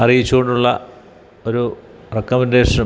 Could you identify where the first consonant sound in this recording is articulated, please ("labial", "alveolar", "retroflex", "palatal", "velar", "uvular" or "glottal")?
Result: alveolar